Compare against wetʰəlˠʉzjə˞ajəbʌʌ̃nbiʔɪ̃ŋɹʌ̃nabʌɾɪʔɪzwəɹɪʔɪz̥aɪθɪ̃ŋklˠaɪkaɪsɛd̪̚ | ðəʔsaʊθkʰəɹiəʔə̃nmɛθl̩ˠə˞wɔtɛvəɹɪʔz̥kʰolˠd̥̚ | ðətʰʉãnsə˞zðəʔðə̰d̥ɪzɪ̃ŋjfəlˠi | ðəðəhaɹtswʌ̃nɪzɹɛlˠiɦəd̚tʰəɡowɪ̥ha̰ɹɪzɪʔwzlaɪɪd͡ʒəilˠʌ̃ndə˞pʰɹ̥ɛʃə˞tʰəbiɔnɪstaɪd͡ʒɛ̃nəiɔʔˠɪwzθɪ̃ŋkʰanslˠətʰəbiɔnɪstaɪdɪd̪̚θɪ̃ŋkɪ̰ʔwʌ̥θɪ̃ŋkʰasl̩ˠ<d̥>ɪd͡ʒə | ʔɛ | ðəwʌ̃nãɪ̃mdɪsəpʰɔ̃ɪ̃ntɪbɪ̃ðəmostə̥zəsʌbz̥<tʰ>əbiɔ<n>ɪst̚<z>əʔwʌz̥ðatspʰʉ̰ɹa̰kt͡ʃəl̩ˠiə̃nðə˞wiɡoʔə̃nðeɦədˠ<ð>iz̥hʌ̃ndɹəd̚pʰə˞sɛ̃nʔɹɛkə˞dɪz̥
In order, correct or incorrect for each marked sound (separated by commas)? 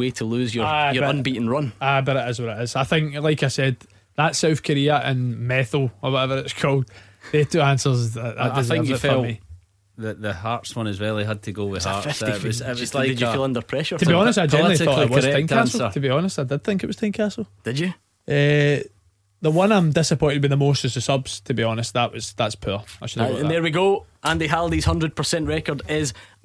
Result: correct, correct, correct, incorrect, correct